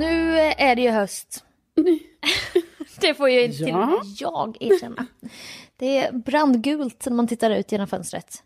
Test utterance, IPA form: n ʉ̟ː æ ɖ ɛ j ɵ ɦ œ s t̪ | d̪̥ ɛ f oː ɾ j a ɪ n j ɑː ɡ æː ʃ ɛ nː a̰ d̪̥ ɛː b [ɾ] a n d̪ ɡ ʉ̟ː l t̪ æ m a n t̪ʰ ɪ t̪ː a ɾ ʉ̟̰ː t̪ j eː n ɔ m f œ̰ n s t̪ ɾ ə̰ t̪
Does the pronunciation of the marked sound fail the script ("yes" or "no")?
no